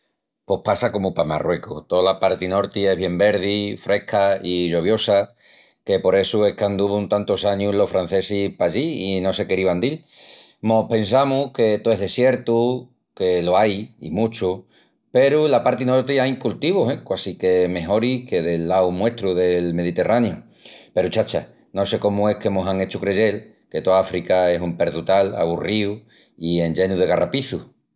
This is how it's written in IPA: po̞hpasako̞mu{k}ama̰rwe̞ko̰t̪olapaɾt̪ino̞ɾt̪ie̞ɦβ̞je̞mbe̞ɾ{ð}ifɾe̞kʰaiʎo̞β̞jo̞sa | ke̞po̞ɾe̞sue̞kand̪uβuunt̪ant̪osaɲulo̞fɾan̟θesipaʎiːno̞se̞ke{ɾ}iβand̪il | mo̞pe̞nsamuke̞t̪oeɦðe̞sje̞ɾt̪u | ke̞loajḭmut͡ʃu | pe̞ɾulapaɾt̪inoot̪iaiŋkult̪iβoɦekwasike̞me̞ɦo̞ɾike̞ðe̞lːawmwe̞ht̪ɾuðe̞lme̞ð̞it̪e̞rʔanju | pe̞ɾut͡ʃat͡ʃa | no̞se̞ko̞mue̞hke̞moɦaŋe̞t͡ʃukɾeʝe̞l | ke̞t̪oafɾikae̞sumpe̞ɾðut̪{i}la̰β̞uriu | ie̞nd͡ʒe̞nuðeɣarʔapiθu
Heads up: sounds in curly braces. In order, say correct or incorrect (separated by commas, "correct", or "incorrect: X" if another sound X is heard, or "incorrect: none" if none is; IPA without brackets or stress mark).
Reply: incorrect: p, correct, correct, incorrect: a